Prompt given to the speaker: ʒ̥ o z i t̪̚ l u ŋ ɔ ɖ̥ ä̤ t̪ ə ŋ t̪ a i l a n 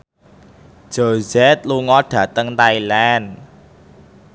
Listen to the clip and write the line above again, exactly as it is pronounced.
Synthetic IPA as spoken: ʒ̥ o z ɛ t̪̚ l u ŋ ɔ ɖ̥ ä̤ t̪ ə ŋ t̪ a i l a n

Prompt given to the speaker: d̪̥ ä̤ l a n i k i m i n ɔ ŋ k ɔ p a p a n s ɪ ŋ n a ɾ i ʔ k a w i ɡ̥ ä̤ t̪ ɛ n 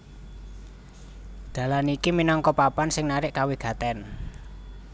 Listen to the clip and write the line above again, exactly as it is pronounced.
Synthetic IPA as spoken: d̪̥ ä̤ l a n i k i m i n ɔ ŋ k ɔ p a p a n s ɪ ŋ n a ɾ ɪ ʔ k a w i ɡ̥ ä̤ t̪ ɛ n

